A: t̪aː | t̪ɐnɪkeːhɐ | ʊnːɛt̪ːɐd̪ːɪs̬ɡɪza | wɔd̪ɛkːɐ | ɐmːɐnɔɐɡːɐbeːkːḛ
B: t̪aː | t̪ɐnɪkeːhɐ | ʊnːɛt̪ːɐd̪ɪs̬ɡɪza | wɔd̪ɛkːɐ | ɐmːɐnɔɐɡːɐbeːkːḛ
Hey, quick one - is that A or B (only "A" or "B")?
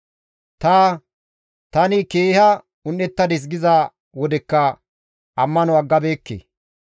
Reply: B